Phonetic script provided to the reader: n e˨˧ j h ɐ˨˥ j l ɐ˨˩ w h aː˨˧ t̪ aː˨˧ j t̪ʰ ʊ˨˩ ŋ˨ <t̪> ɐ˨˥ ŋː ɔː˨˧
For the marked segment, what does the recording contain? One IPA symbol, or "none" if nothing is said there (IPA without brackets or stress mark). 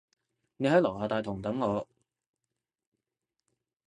t̪